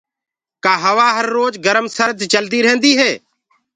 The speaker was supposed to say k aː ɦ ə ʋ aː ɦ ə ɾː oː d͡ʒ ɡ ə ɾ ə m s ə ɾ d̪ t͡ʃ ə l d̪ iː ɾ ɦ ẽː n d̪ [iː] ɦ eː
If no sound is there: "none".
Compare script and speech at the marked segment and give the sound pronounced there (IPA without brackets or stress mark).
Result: iː